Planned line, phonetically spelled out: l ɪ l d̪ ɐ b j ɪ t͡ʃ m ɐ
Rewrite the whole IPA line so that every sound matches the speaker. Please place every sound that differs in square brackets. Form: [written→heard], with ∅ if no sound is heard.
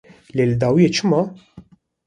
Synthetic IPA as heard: l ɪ l d̪ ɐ [b→w] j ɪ t͡ʃ m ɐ